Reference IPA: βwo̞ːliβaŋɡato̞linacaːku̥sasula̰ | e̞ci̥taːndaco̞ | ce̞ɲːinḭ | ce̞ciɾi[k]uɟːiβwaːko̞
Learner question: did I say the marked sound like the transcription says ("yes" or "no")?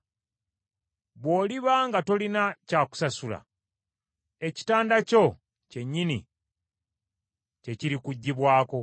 yes